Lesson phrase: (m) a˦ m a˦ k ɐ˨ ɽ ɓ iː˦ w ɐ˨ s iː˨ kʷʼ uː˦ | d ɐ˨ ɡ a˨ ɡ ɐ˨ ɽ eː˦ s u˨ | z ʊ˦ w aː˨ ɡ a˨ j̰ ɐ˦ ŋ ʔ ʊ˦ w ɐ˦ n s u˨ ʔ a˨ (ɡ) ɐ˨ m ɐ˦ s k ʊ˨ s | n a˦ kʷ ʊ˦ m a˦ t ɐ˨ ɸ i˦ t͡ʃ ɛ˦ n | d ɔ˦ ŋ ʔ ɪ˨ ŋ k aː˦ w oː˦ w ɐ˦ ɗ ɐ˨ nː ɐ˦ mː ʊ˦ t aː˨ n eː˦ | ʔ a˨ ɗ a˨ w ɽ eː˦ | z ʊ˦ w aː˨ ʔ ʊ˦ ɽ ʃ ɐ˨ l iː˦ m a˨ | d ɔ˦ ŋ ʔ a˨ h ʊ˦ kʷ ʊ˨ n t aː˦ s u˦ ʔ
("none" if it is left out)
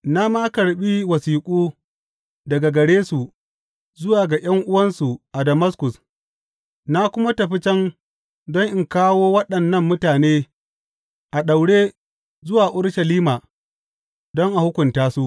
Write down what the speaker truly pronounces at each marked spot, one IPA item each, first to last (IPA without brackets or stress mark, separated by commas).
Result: n, d